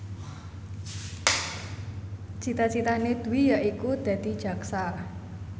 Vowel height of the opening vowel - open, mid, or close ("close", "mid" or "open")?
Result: close